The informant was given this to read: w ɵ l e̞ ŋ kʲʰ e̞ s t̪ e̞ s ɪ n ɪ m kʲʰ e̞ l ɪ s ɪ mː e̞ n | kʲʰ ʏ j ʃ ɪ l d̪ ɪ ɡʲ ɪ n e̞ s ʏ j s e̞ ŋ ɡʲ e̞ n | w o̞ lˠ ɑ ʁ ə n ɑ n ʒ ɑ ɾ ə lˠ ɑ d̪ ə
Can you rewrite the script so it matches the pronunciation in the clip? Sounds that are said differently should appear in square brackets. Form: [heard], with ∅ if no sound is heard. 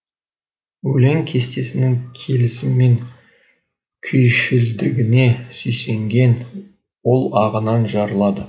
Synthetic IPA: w ɵ l e̞ ŋ kʲʰ e̞ s t̪ e̞ s ɪ n ɪ [ŋ] kʲʰ e̞ l ɪ s ɪ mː e̞ [ŋ] | kʲʰ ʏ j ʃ ɪ l d̪ ɪ ɡʲ ɪ n e̞ s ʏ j s e̞ ŋ ɡʲ e̞ n | w o̞ lˠ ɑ ʁ ə n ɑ n ʒ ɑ ɾ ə lˠ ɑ d̪ ə

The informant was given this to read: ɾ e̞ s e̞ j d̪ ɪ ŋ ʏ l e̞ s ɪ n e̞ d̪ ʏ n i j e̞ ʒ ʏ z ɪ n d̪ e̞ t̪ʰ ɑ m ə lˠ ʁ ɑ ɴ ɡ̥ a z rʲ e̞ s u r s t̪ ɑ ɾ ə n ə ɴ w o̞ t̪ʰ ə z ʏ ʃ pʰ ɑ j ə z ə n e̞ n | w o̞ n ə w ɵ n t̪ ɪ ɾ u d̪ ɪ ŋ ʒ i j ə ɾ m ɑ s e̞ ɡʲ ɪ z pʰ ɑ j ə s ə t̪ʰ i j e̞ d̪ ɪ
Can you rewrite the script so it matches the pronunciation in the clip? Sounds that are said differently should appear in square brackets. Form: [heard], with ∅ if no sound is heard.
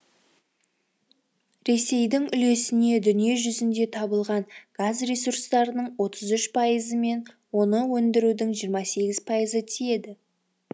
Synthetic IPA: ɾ e̞ s e̞ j d̪ ɪ ŋ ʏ l e̞ s ɪ n e̞ d̪ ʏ n i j e̞ ʒ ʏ z ɪ n d̪ e̞ t̪ʰ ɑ [b] ə lˠ ʁ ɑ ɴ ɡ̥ a z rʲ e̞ s u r s t̪ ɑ ɾ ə n ə ɴ w o̞ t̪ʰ ə z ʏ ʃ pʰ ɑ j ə z ə [m] e̞ n | w o̞ n ə w ɵ n [d̪] ɪ ɾ u d̪ ɪ ŋ ʒ i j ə ɾ m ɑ s e̞ ɡʲ ɪ z pʰ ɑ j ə [z] ə t̪ʰ i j e̞ d̪ ɪ

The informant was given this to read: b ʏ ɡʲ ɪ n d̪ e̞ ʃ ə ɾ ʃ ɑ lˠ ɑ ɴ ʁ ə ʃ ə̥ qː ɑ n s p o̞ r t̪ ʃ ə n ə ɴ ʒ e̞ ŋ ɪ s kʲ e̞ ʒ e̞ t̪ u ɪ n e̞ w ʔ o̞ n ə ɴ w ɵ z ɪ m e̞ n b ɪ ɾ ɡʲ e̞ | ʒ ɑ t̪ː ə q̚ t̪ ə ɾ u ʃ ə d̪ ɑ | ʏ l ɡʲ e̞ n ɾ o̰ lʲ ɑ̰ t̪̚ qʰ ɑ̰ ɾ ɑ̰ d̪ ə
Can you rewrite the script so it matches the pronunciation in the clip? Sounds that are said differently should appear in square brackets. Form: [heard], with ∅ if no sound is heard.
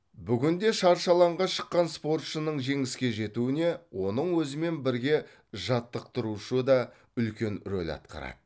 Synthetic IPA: b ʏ ɡʲ ɪ n d̪ e̞ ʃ [ɑ] ɾ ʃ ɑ lˠ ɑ ɴ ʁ [ɑ] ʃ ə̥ qː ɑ n s p o̞ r t̪ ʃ ə n ə ɴ ʒ e̞ ŋ ɪ s kʲ e̞ ʒ e̞ t̪ u ɪ n e̞ w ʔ o̞ n ə ɴ w ɵ z ɪ m e̞ n b ɪ ɾ ɡʲ e̞ | ʒ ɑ t̪ː ə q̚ t̪ ə ɾ u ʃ ə d̪ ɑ | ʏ l [kʲ] e̞ n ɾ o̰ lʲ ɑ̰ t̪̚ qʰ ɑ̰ ɾ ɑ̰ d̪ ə

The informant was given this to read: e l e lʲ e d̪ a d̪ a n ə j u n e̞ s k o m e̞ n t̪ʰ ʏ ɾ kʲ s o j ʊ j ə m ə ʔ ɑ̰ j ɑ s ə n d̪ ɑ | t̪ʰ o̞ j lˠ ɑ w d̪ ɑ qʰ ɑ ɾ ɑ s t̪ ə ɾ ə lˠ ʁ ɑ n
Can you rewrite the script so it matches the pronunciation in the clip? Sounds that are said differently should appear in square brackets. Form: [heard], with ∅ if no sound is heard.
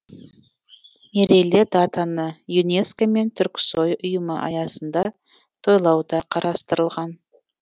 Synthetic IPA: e [ɾ] e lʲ e d̪ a [t̪] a n ə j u n e̞ s k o m e̞ n t̪ʰ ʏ ɾ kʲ s o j ʊ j ə m ə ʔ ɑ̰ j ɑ s ə n d̪ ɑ | t̪ʰ o̞ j lˠ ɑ w d̪ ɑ qʰ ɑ ɾ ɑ s t̪ ə ɾ ə lˠ ʁ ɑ n

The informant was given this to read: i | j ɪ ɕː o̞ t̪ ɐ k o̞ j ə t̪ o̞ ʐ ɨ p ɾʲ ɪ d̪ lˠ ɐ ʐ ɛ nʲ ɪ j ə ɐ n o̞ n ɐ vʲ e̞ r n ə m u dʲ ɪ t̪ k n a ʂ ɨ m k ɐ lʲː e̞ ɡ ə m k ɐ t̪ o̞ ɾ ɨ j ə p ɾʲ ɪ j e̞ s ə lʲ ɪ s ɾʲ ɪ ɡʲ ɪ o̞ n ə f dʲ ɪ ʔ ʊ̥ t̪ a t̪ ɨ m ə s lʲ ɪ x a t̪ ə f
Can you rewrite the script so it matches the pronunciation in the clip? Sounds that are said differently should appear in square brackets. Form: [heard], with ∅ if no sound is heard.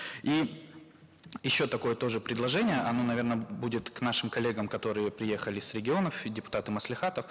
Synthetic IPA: i | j ɪ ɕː o̞ t̪ ɐ k o̞ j ə t̪ o̞ ʐ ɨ p ɾʲ ɪ d̪ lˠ ɐ ʐ ɛ nʲ ɪ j ə ɐ n o̞ n ɐ vʲ e̞ r n ə [b] u dʲ ɪ t̪ k n a ʂ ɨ m k ɐ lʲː e̞ ɡ ə m k ɐ t̪ o̞ ɾ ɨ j ə p ɾʲ ɪ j e̞ [x] ə lʲ ɪ s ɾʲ ɪ ɡʲ ɪ o̞ n ə f dʲ ɪ [p] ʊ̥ t̪ a t̪ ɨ m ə s lʲ ɪ x a t̪ ə f

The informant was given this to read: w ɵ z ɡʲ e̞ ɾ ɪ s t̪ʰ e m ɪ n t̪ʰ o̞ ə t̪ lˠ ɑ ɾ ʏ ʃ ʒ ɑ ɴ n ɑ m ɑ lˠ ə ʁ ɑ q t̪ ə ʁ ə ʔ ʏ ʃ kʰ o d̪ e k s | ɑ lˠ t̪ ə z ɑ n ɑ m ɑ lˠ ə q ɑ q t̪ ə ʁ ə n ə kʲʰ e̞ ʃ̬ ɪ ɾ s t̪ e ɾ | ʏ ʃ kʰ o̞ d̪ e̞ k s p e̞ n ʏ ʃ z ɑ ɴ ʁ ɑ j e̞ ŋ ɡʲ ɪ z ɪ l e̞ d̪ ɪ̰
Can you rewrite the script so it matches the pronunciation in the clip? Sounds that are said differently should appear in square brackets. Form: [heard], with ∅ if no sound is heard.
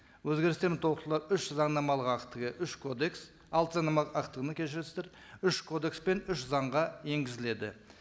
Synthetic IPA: w ɵ z ɡʲ e̞ ɾ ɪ s [t̪] e m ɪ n t̪ʰ o̞ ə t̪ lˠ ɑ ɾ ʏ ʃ [z] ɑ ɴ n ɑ m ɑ lˠ ə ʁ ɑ q t̪ ə ʁ ə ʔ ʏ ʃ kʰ o d̪ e k s | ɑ lˠ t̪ ə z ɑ n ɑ m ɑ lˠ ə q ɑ q t̪ ə ʁ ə n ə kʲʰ e̞ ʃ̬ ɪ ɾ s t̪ e ɾ | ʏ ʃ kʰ o̞ d̪ e̞ k s p e̞ n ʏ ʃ z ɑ ɴ ʁ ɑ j e̞ ŋ ɡʲ ɪ z ɪ l e̞ d̪ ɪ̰

